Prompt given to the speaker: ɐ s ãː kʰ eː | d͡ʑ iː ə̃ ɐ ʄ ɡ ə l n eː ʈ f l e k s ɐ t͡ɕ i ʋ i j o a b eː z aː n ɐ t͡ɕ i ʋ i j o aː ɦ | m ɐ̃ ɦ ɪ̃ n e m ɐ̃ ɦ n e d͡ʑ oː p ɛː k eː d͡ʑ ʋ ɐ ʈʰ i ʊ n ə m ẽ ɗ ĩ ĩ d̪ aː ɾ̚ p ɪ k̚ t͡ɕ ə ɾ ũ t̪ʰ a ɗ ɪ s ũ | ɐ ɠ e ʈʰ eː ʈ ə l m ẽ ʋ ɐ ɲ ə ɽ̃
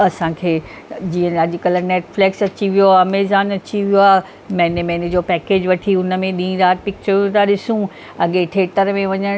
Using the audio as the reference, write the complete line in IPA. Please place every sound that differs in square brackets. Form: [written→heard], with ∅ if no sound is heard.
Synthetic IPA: ɐ s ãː kʰ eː | d͡ʑ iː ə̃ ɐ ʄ [ɡ→k] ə l n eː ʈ f l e k s ɐ t͡ɕ i ʋ i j o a [b→m] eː z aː n ɐ t͡ɕ i ʋ i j o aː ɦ | m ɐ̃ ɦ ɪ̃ n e m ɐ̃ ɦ n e d͡ʑ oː p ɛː k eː d͡ʑ ʋ ɐ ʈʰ i ʊ n ə m ẽ ɗ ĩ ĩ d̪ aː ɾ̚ p ɪ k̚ t͡ɕ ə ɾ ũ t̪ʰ a ɗ ɪ s ũ | ɐ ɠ e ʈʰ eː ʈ ə [l→ɾ] m ẽ ʋ ɐ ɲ ə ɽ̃